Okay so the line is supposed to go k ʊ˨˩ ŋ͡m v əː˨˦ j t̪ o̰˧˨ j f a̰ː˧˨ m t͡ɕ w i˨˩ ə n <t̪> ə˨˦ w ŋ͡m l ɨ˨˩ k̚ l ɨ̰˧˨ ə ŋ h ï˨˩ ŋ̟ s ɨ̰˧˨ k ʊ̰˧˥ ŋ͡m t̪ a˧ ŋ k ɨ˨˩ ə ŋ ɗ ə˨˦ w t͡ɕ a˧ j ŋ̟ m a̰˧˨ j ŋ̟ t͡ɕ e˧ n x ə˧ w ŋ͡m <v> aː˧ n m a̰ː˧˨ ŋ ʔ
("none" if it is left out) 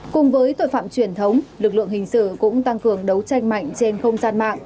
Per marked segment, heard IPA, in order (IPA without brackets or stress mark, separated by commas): t̪ʰ, z